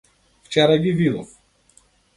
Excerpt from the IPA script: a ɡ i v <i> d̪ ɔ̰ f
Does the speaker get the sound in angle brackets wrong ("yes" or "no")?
no